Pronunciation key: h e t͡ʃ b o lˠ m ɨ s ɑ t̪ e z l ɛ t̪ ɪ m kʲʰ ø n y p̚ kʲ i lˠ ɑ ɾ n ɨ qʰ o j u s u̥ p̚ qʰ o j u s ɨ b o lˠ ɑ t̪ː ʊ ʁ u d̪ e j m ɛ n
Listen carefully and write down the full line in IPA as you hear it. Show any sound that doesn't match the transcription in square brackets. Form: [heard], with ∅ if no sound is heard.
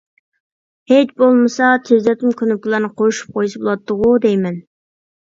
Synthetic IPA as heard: h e t͡ʃ b o lˠ m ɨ s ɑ [t̪ʰ] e z l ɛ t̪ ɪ m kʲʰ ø n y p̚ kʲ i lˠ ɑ ɾ n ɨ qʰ o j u [ʃ] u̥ p̚ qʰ o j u s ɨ b o lˠ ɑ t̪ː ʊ ʁ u d̪ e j m ɛ n